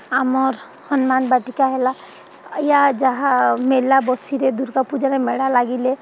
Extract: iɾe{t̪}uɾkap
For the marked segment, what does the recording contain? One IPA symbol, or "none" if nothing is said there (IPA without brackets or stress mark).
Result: d̪